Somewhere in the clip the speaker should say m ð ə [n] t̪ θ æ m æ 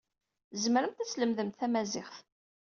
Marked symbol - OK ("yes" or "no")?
no